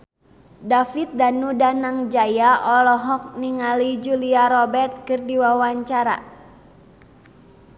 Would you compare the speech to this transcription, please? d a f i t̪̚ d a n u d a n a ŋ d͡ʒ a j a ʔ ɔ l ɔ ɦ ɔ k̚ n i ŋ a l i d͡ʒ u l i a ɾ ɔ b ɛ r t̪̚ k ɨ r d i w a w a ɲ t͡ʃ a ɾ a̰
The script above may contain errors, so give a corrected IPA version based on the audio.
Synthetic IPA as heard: d a f i t̪̚ d a n u d a n a ŋ d͡ʒ a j a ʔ ɔ l ɔ ɦ ɔ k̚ n i ŋ a l i d͡ʒ u l i a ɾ ɔ b ɛ r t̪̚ k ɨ r d i w a w a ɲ t͡ʃ a ɾ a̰